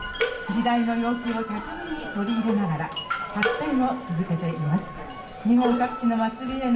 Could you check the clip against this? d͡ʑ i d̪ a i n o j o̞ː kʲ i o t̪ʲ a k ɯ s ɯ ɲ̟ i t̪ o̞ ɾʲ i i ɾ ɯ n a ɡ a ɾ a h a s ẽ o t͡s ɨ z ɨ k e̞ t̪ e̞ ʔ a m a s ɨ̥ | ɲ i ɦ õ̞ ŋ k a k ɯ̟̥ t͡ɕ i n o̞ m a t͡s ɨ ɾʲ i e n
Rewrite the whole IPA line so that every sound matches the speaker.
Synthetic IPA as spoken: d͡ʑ i d̪ a i n o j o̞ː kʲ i o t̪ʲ a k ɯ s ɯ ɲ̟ i t̪ o̞ ɾʲ i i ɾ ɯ n a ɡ a ɾ a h a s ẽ o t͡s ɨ z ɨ k e̞ t̪ e̞ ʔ i m a s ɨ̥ | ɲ i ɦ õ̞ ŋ k a k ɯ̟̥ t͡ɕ i n o̞ m a t͡s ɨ ɾʲ i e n

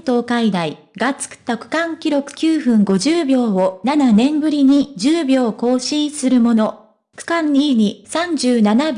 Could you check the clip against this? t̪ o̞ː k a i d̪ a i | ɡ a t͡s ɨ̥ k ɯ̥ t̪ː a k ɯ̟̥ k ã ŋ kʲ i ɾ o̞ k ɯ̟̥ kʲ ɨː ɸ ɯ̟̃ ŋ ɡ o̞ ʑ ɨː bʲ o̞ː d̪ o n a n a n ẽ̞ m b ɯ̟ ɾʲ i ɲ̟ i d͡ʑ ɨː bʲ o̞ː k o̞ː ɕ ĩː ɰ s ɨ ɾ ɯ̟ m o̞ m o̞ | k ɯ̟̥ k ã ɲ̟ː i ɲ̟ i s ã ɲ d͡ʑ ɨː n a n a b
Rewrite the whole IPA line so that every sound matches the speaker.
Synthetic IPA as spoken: t̪ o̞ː k a i d̪ a i | ɡ a t͡s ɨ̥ k ɯ̥ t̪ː a k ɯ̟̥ k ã ŋ kʲ i ɾ o̞ k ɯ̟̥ kʲ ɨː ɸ ɯ̟̃ ŋ ɡ o̞ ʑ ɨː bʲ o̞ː o n a n a n ẽ̞ m b ɯ̟ ɾʲ i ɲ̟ i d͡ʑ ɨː bʲ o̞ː k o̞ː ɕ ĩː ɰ s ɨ ɾ ɯ̟ m o̞ n o̞ | k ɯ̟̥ k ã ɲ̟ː i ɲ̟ i s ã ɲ d͡ʑ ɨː n a n a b

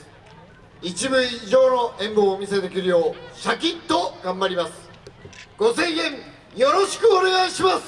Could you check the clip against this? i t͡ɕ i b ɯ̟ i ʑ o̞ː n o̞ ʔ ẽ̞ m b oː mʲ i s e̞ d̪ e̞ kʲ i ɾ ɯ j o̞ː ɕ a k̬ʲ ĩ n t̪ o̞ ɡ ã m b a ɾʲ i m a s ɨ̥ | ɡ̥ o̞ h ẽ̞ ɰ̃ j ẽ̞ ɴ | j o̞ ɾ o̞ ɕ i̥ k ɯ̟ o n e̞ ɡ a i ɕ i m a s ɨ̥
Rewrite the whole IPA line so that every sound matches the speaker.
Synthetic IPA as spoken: i t͡ɕ i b ɯ̟ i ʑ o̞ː n o̞ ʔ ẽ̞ m b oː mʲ i s e̞ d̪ e̞ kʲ i ɾ ɯ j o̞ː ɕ a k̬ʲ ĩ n t̪ o̞ ɡ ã m b a ɾʲ i m a s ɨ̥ | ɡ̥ o̞ s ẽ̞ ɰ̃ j ẽ̞ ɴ | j o̞ ɾ o̞ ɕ i̥ k ɯ̟ o n e̞ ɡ a i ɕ i m a s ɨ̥

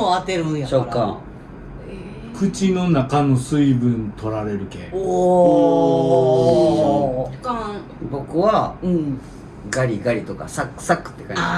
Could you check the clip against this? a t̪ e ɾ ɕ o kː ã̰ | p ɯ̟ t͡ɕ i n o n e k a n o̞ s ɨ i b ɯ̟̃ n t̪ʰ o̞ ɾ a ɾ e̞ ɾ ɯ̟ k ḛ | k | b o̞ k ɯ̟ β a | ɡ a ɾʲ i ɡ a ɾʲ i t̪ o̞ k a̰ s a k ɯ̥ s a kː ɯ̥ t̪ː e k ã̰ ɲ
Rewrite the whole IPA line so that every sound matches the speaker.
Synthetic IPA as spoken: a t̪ e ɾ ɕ o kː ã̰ | k ɯ̟ t͡ɕ i n o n a k a n o̞ s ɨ i b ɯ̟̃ n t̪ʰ o̞ ɾ a ɾ e̞ ɾ ɯ̟ k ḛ | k | b o̞ k ɯ̟ β a | ɡ a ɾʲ i ɡ a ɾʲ i t̪ o̞ k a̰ s a k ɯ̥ s a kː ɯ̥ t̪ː e k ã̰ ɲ

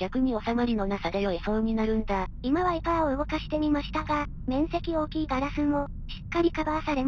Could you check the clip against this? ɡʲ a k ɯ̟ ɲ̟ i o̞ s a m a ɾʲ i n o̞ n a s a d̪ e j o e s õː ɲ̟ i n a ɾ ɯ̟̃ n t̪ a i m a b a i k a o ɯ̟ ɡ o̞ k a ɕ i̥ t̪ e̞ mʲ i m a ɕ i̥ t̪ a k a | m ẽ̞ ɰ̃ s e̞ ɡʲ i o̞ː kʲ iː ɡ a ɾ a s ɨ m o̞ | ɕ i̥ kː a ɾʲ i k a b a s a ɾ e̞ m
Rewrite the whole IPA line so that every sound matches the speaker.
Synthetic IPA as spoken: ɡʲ a k ɯ̟ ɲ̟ i o̞ s a m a ɾʲ i n o̞ n a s a d̪ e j o e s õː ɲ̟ i n a ɾ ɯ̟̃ n d̪ a i m a β a i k a o ɯ̟ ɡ o̞ k a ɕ i̥ t̪ e̞ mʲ i m a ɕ i̥ t̪ a ɡ a | m ẽ̞ ɰ̃ s e̞ kʲ i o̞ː kʲ iː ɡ a ɾ a s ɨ m o̞ | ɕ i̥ kː a ɾʲ i k a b a s a ɾ e̞ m

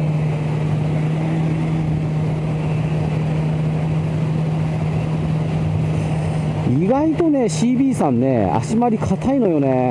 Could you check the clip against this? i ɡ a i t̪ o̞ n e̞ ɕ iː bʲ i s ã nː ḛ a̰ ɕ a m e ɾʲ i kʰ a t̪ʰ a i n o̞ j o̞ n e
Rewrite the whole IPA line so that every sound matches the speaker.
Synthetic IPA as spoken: i ɡ a i t̪ o̞ n e̞ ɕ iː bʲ iː s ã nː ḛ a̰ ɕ i m a ɾʲ i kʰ a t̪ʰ a i n o̞ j o̞ n e

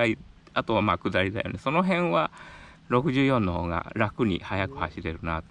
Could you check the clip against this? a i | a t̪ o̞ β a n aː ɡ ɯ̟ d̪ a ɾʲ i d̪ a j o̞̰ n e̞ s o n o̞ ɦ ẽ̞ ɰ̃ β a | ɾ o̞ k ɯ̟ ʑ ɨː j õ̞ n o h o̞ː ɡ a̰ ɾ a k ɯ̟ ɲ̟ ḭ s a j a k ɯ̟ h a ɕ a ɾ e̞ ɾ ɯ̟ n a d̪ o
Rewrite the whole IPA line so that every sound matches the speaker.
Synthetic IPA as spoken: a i | a t̪ o̞ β a m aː k ɯ̟ d̪ a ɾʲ i d̪ a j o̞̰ n e̞ s o n o̞ ɦ ẽ̞ ɰ̃ β a | ɾ o̞ k ɯ̟ ʑ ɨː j õ̞ nː o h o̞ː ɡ a̰ ɾ a k ɯ̟ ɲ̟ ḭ h a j a k ɯ̟ h a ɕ i ɾ e̞ ɾ ɯ̟ n a t̪ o

